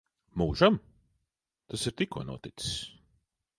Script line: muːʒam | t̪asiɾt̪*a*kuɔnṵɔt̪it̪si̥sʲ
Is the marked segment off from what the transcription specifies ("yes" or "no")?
yes